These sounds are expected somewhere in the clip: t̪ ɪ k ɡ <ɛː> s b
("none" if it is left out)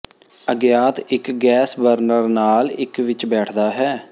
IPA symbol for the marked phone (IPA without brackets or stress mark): ɛː